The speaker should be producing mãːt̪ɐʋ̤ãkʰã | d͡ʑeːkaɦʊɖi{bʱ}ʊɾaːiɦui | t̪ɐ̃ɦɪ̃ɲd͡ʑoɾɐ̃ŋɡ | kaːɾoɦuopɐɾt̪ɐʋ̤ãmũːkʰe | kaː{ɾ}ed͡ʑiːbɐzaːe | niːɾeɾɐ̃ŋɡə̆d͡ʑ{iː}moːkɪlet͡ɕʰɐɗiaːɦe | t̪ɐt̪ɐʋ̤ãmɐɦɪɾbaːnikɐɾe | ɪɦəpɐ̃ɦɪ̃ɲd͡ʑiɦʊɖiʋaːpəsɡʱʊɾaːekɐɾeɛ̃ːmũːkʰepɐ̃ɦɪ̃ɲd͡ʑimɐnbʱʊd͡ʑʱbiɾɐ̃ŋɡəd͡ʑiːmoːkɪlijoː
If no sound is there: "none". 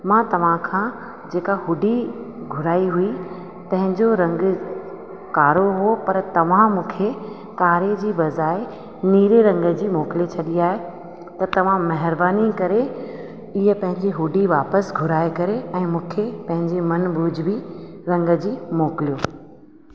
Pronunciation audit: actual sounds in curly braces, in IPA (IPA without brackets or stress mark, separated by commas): ɡʱ, ɾ, iː